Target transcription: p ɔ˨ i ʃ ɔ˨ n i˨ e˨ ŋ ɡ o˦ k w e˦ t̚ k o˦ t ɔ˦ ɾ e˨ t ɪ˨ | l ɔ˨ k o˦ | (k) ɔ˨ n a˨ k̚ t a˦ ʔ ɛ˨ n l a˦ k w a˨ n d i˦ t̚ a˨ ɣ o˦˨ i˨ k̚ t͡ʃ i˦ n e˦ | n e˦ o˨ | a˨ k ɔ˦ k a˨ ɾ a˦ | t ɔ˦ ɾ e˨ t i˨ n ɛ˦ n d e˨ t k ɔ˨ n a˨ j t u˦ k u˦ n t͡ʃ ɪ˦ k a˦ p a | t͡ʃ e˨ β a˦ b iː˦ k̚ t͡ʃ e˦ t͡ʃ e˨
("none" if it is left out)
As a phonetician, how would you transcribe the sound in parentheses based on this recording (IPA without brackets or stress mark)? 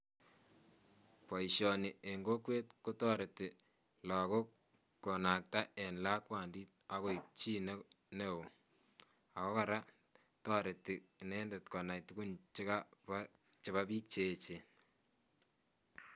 k